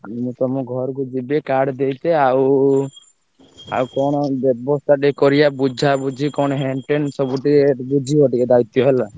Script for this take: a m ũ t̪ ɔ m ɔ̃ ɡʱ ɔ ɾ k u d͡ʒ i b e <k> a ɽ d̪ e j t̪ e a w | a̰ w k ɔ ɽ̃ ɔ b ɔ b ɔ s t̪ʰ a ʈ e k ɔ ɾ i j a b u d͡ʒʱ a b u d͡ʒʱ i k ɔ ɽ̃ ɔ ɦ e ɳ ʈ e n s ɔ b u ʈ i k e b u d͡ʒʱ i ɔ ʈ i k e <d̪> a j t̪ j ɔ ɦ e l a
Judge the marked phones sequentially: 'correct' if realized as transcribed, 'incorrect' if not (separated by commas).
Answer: correct, correct